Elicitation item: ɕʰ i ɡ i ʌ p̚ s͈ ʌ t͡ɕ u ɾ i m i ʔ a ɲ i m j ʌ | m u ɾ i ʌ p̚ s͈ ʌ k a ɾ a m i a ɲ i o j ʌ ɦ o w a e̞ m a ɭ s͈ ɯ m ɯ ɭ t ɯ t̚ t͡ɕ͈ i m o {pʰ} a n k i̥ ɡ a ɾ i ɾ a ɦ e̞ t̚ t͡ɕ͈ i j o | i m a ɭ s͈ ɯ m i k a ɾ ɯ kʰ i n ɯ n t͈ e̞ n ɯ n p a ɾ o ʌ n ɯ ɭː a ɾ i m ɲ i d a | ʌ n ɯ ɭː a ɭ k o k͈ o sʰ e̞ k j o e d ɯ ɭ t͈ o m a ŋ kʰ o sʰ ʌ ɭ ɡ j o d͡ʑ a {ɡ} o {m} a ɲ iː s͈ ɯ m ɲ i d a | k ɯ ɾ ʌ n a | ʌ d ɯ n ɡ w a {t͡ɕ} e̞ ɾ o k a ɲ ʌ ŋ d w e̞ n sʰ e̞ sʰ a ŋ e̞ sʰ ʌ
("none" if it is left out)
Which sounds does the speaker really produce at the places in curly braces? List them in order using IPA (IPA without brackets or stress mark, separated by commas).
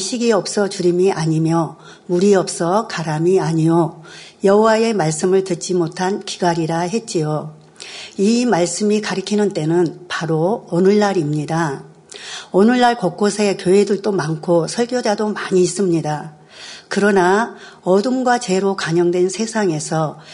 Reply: tʰ, d, m, t͡ɕ